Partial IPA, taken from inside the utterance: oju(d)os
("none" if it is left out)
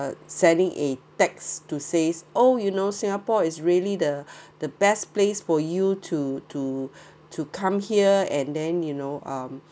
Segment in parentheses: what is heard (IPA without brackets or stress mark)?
n